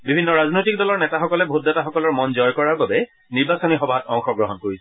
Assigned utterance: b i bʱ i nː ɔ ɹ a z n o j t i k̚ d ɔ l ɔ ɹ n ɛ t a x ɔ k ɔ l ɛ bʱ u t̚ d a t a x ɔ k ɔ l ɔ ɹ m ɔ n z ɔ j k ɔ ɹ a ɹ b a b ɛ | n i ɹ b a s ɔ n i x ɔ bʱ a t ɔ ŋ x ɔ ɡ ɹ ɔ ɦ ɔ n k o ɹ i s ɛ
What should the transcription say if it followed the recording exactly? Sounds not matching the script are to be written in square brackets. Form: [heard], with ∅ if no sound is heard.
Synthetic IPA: b i bʱ i nː ɔ ɹ a z n o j t i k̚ d ɔ l ɔ ɹ n ɛ t a x ɔ k ɔ l ɛ bʱ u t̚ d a t a x ɔ k ɔ l ɔ ɹ m ɔ n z ɔ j k ɔ ɹ a ɹ b a b ɛ | n i ɹ b a s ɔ n i x ɔ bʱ a t ɔ ŋ x ɔ ɡ ɹ ɔ ɦ ɔ n k o ɹ i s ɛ